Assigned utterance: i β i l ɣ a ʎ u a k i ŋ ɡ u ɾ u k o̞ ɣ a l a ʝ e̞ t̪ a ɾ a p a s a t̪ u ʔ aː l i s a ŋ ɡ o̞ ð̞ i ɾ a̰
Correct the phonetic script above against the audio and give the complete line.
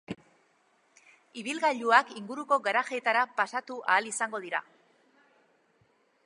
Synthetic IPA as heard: i β i l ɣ a ʎ u a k i ŋ ɡ u ɾ u k o̞ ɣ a ɾ a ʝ e̞ t̪ a ɾ a p a s a t̪ u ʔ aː l i s a ŋ ɡ o̞ ð̞ i ɾ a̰